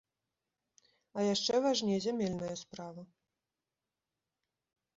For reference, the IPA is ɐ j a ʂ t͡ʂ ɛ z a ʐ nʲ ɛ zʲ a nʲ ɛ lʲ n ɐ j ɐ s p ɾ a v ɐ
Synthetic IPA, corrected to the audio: ɐ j a ʂ t͡ʂ ɛ v a ʐ nʲ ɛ zʲ a mʲ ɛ lʲ n ɐ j ɐ s p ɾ a v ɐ